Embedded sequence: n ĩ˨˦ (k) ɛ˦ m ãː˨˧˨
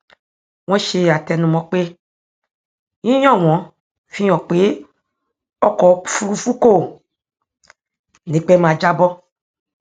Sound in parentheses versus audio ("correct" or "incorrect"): incorrect